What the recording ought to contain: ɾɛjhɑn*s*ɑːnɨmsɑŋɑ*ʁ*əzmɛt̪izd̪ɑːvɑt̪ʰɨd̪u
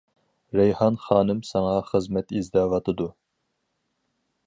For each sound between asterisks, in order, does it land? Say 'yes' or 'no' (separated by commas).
no, no